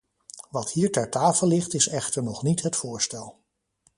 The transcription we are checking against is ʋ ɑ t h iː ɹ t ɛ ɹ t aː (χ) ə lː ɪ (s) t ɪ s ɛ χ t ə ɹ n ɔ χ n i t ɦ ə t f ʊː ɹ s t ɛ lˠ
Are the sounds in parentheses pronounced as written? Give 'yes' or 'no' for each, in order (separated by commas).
no, no